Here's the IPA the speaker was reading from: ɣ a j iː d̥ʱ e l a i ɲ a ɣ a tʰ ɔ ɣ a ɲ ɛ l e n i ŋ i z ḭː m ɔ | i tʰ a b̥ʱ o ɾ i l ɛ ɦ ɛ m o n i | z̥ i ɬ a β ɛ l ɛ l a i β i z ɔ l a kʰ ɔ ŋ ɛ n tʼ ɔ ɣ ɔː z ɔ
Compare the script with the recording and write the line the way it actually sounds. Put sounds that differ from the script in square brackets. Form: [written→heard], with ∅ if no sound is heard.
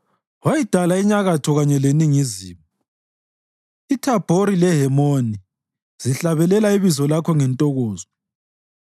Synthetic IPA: [ɣ→w] a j [iː→i] d̥ʱ [e→a] l a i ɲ a ɣ a tʰ ɔ ɣ a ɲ ɛ l e n i ŋ i z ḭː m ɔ | i tʰ a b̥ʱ o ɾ i l ɛ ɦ ɛ m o n i | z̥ i ɬ a β ɛ l ɛ l a i β i z ɔ l a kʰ ɔ ŋ ɛ n tʼ ɔ ɣ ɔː z ɔ